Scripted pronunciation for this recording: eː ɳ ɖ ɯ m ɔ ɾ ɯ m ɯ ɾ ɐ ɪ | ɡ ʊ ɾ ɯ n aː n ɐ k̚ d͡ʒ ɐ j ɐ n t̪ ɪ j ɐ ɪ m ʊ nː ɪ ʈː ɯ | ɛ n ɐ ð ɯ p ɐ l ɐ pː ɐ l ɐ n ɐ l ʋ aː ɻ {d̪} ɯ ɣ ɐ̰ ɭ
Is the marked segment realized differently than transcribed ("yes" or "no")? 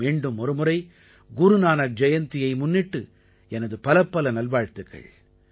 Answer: yes